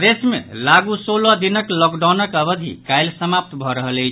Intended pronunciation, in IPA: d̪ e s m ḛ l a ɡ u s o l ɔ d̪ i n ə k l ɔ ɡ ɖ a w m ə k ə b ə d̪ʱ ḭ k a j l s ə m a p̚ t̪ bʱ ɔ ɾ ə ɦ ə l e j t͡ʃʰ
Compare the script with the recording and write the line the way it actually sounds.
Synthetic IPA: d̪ e s m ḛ l a ɡ u s o l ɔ d̪ i n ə k l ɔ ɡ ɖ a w n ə k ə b ə d̪ʱ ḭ k a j l s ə m a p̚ t̪ bʱ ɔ ɾ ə ɦ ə l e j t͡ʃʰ